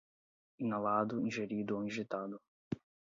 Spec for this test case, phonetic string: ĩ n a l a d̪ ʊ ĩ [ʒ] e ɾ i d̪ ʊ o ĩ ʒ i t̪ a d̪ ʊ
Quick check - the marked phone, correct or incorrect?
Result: correct